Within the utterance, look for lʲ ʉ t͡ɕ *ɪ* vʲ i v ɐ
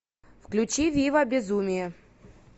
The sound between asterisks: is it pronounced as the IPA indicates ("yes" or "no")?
no